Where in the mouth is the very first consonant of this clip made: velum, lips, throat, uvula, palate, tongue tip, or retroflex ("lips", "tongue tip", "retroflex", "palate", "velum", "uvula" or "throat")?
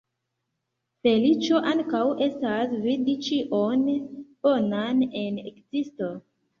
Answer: lips